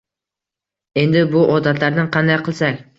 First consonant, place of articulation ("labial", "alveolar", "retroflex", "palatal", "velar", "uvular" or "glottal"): alveolar